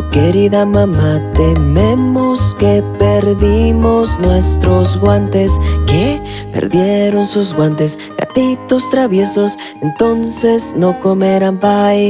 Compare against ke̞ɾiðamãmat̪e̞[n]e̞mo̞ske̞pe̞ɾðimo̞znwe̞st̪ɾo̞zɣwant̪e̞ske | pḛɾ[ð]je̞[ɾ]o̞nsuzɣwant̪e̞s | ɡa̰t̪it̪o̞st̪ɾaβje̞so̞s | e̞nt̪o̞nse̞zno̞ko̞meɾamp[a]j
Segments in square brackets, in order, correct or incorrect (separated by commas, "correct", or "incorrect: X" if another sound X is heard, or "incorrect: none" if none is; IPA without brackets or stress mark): incorrect: m, correct, correct, correct